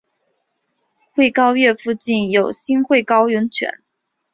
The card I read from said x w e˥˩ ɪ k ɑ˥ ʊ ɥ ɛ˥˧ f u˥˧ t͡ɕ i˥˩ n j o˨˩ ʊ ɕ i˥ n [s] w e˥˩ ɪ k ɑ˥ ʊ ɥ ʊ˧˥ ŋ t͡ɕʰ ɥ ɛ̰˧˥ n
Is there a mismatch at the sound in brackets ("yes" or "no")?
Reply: yes